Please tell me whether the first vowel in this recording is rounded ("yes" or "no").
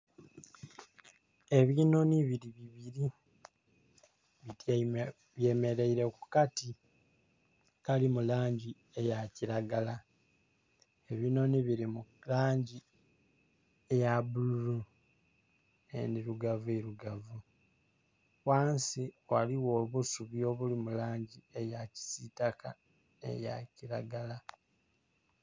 no